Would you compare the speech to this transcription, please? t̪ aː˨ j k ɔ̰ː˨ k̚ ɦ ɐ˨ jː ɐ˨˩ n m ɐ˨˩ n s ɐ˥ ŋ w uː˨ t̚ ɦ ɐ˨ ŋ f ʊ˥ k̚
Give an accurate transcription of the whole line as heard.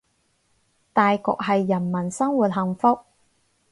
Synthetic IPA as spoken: t̪ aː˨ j k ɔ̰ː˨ k̚ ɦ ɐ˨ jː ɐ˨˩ n m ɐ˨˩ n s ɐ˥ ŋ w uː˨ t̚ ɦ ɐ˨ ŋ f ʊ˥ k̚